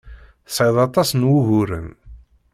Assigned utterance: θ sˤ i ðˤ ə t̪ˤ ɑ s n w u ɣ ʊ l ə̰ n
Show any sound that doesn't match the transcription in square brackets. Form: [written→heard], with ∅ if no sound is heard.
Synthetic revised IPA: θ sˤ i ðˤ [ə→ɑ] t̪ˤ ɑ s n w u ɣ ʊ [l→ɾ] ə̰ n